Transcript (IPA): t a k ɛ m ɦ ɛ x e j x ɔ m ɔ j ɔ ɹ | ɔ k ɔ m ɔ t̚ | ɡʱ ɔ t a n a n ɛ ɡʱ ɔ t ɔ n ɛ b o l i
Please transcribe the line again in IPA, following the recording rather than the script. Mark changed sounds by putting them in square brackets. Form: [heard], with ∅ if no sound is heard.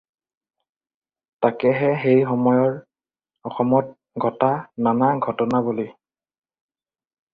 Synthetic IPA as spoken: t a k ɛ [∅] ɦ ɛ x e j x ɔ m ɔ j ɔ ɹ | ɔ [x] ɔ m ɔ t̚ | ɡʱ ɔ t a n a n [a] ɡʱ ɔ t ɔ n [a] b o l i